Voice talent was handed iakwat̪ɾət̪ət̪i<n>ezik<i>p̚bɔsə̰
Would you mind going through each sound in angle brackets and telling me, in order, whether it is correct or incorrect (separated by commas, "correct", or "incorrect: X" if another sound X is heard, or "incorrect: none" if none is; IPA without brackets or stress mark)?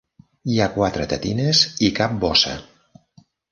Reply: correct, incorrect: a